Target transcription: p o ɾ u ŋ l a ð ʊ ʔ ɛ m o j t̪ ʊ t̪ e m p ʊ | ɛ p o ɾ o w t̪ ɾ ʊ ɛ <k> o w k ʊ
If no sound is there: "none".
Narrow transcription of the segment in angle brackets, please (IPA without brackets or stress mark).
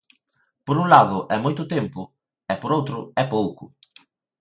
p